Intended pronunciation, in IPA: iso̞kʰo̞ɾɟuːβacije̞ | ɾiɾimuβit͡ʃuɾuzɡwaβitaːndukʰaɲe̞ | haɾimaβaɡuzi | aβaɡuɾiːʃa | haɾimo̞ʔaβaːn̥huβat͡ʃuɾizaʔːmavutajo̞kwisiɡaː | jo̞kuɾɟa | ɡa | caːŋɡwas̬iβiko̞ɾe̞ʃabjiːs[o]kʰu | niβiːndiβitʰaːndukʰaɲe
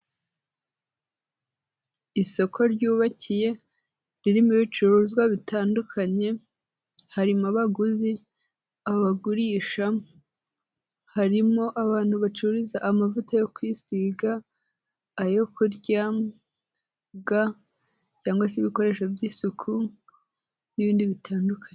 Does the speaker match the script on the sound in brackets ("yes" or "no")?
no